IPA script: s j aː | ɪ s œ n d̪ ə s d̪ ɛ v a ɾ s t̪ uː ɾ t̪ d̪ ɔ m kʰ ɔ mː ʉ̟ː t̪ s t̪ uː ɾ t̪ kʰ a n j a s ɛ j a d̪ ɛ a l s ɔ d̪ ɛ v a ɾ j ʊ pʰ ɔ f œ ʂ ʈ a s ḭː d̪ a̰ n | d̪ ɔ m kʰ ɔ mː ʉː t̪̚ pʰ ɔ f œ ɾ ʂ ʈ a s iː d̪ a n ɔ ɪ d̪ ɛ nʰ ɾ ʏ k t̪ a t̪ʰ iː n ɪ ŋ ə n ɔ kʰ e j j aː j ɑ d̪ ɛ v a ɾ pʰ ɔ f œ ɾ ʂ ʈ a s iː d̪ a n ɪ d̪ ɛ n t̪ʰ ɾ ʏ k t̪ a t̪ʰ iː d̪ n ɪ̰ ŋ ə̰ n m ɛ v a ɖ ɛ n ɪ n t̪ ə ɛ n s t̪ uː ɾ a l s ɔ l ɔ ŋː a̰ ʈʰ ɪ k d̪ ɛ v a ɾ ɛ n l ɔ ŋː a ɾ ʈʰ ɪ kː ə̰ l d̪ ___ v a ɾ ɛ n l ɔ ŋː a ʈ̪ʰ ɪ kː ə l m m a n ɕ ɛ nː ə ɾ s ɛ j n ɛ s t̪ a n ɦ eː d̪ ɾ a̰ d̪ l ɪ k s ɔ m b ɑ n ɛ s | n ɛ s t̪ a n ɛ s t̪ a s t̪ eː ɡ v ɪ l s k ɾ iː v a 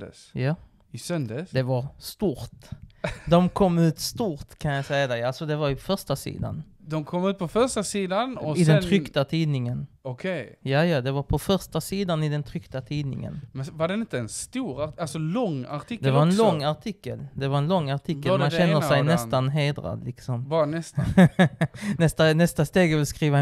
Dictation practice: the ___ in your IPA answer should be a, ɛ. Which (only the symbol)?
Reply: ɛ